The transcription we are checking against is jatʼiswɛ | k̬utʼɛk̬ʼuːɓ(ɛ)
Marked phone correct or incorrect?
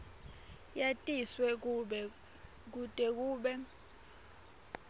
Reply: correct